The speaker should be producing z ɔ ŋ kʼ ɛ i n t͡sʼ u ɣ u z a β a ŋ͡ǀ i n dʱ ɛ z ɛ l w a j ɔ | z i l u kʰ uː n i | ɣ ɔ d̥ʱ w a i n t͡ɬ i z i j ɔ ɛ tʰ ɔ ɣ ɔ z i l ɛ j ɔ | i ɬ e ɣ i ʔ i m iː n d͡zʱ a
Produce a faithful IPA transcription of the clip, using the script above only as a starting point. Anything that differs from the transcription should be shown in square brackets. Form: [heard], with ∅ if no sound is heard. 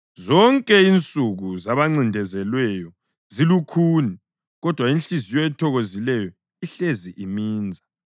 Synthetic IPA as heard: z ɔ ŋ kʼ ɛ i n t͡sʼ u ɣ u z a β a ŋ͡ǀ i n dʱ ɛ z ɛ l w [ɛ] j ɔ | z i l u kʰ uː n i | ɣ ɔ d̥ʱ w a i n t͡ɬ i z i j ɔ ɛ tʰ ɔ ɣ [o] z i l ɛ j ɔ | i ɬ e [z] i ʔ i m iː n d͡zʱ a